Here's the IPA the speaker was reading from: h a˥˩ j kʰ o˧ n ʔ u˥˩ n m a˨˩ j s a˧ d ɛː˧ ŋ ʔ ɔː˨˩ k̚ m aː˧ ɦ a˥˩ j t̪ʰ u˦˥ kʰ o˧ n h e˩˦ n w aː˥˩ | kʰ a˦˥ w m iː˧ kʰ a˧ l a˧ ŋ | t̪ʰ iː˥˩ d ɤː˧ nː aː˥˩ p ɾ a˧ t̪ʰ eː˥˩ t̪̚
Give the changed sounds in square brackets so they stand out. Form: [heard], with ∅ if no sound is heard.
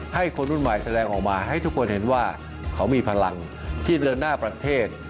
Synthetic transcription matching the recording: h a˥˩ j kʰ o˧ n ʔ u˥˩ n m a˨˩ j s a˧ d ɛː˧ ŋ ʔ ɔː˨˩ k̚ m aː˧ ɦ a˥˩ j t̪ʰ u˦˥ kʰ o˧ n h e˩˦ n w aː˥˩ | kʰ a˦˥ w m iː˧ [pʰ] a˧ l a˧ ŋ | t̪ʰ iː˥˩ d ɤː˧ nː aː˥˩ p ɾ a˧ t̪ʰ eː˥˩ t̪̚